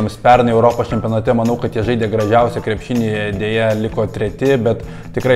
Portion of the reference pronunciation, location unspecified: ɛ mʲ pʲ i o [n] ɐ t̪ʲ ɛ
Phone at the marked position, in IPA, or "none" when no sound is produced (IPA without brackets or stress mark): n